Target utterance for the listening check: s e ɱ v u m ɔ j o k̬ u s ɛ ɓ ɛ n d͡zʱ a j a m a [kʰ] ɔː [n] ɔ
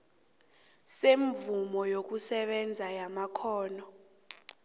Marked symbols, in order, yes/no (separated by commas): yes, yes